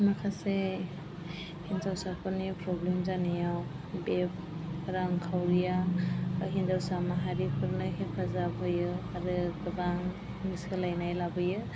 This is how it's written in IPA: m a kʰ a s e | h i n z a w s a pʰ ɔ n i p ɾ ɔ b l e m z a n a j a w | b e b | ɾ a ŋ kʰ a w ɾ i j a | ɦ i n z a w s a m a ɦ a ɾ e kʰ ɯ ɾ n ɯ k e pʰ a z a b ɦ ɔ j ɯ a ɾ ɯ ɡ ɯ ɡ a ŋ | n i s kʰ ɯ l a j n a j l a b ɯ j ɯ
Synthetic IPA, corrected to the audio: m a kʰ a s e | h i n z a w s a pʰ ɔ n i p ɾ ɔ b l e m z a n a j a w | b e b | ɾ a ŋ kʰ a w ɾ i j a | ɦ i n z a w s a m a ɦ a ɾ i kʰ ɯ ɾ n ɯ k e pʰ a z a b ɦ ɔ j ɯ a ɾ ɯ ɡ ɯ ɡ a ŋ | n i s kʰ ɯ l a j n a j l a b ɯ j ɯ